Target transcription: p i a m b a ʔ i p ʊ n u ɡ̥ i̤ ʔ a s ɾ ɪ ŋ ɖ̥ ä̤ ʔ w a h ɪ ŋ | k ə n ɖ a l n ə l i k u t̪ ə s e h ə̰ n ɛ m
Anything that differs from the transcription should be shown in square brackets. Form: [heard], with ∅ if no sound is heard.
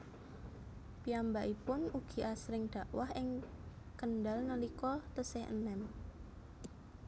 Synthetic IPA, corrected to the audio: p i a m b a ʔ i p ʊ n u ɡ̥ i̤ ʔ a s ɾ ɪ ŋ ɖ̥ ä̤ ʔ w a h ɪ ŋ | k ə n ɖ a l n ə l i k [ɔ] t̪ ə s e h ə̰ n ɛ m